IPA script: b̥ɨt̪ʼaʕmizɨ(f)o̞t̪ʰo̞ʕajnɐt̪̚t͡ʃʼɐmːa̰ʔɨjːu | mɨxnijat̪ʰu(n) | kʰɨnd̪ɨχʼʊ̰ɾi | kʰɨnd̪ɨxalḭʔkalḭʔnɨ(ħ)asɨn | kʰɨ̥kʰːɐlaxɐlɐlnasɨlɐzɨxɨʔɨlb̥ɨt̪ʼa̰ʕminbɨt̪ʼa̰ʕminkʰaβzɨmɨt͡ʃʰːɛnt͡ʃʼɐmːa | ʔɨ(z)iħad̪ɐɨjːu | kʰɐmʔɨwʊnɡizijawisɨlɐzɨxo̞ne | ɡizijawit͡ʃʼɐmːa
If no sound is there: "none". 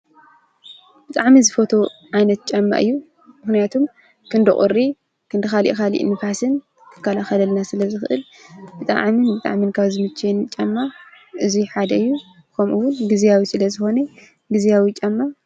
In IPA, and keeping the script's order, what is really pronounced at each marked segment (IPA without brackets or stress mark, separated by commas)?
f, m, f, z